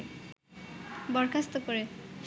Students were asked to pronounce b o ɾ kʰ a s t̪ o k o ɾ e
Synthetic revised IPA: b ɔ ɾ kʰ a s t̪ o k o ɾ e